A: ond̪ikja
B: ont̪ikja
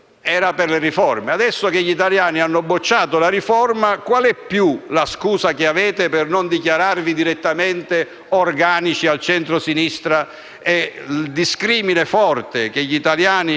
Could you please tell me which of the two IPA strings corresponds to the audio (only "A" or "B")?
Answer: A